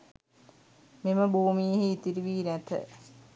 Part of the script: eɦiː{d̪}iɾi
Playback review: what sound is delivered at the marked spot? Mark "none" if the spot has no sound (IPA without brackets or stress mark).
t̪